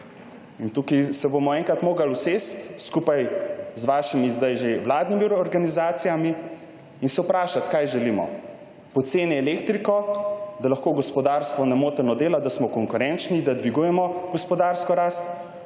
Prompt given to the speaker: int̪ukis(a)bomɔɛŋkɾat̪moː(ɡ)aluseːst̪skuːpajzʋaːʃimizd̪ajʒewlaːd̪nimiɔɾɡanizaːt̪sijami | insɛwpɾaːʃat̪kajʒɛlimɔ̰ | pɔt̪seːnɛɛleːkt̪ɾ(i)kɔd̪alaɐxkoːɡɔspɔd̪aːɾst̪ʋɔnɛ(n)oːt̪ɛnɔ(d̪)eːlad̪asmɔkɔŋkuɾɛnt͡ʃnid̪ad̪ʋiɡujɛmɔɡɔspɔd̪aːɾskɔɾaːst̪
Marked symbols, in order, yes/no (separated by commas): no, yes, yes, no, yes